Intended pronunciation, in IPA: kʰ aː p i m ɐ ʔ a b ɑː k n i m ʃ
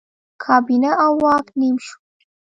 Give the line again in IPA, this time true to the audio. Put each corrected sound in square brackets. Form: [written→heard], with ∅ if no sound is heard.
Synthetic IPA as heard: kʰ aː [p→b] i [m→n] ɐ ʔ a [b→w] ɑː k n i m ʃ

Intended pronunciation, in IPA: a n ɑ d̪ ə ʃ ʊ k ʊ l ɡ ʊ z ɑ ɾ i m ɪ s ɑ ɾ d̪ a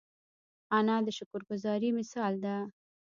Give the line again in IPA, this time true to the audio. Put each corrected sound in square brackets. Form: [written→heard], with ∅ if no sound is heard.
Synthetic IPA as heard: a n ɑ d̪ ə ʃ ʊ k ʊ [l→ɾ] ɡ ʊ z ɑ ɾ i m ɪ s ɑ [ɾ→l] d̪ a

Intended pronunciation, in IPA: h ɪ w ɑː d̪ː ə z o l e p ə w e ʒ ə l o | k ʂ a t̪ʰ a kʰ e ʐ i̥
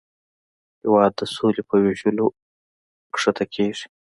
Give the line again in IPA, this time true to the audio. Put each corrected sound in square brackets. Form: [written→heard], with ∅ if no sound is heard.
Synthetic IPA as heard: h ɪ w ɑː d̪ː ə [z→s] o l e p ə w e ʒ ə l o | k ʂ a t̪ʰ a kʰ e ʐ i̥

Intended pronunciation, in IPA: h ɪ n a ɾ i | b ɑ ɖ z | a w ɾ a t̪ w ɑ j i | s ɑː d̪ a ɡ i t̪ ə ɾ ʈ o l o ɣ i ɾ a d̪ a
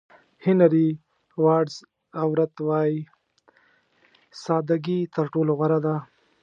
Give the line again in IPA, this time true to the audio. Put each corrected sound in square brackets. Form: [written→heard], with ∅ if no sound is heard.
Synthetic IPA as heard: h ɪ n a ɾ i | [b→w] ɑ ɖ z | a w ɾ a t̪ w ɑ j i | s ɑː d̪ a ɡ i t̪ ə ɾ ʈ o l o ɣ [i→a] ɾ a d̪ a

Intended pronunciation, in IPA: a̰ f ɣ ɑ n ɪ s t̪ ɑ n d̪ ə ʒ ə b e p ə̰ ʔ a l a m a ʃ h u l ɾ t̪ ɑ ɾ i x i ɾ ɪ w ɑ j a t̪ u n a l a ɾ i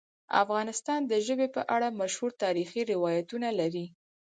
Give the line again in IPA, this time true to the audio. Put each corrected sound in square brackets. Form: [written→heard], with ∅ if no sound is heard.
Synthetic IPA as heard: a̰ f ɣ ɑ n ɪ s t̪ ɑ n d̪ ə ʒ ə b e p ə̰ ʔ a [l→ɽ] a m a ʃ h u [l→∅] ɾ t̪ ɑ ɾ i x i ɾ ɪ w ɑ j a t̪ u n a l a ɾ i

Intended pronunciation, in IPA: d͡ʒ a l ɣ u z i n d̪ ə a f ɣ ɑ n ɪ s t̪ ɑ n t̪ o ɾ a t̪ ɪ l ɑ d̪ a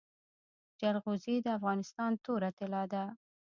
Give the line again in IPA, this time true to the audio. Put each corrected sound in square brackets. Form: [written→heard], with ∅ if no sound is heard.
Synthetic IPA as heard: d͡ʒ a l ɣ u z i [n→∅] d̪ ə a f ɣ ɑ n ɪ s t̪ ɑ n t̪ o ɾ a t̪ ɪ l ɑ d̪ a

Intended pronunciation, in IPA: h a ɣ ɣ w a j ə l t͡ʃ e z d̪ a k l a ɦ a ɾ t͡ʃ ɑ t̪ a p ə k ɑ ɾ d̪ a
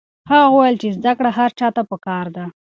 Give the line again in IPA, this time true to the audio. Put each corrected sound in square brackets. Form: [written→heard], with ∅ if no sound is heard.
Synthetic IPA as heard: h a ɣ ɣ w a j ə l t͡ʃ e z d̪ a k [l→ɽ] a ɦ a ɾ t͡ʃ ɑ t̪ a p ə k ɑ ɾ d̪ a

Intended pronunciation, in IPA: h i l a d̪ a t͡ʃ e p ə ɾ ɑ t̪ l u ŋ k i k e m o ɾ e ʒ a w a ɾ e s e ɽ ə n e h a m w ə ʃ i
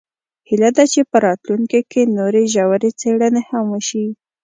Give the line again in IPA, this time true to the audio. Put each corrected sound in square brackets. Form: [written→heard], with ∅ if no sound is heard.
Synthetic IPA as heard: h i l a d̪ a t͡ʃ e p ə ɾ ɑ t̪ l u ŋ k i k e [m→n] o ɾ e ʒ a w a ɾ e [s→t͡s] e ɽ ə n e h a m w ə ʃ i

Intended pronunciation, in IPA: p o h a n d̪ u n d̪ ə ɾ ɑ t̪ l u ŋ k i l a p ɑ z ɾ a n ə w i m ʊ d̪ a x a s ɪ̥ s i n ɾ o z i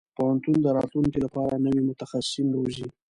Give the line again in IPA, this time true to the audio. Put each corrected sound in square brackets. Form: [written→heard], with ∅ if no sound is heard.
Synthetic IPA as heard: p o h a n [d̪→t̪] u n d̪ ə ɾ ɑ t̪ l u ŋ k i l a p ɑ [z→∅] ɾ a n ə w i m ʊ [d̪→t̪] a x a s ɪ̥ s i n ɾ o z i

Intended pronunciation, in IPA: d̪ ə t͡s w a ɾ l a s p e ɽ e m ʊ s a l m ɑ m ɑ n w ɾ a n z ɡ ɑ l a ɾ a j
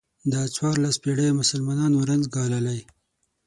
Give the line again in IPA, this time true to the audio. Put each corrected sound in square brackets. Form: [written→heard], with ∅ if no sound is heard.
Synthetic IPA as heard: d̪ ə t͡s w [a→ɑ] ɾ l a s p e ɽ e m ʊ s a l m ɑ [m→n] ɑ n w ɾ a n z ɡ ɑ l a [ɾ→l] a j

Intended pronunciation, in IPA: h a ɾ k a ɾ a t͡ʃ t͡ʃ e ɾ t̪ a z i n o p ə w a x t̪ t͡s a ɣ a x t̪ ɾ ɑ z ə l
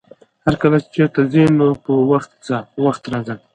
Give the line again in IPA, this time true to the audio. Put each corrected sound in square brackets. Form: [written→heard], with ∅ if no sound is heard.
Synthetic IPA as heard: h a ɾ k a [ɾ→l] a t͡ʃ t͡ʃ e ɾ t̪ a z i n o p ə w a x t̪ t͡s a [ɣ→w] a x t̪ ɾ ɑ z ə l

